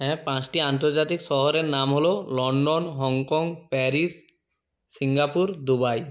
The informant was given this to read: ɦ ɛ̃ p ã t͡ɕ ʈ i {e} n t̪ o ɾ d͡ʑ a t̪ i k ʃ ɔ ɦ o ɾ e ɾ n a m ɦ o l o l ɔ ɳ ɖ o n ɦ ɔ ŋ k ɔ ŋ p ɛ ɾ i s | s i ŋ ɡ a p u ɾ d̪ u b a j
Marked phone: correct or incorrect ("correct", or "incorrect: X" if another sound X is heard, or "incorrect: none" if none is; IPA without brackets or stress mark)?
incorrect: a